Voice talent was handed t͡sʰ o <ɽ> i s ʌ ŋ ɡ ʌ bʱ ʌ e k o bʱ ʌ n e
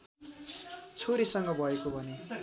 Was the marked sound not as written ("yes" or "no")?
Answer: yes